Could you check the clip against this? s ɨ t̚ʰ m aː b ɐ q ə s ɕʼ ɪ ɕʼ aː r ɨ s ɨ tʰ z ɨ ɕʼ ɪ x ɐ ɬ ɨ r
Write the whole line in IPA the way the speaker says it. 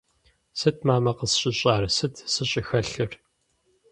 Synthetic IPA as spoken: s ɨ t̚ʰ m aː m ɐ q ə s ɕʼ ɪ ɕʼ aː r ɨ s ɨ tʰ s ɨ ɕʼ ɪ x ɐ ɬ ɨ r